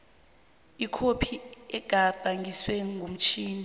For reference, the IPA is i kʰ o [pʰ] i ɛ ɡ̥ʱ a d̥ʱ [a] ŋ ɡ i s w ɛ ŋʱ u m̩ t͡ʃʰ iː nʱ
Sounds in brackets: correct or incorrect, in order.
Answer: correct, correct

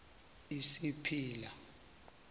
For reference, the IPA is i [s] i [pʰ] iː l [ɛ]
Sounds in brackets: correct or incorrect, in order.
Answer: correct, correct, incorrect: a

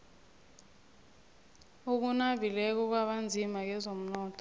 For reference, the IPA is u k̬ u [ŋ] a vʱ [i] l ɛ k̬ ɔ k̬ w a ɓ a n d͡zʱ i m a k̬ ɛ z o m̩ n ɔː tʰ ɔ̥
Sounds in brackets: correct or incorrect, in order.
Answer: incorrect: n, correct

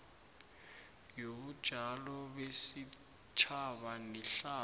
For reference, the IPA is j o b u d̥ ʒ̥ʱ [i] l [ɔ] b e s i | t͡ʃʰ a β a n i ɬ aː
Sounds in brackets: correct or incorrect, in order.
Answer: incorrect: a, correct

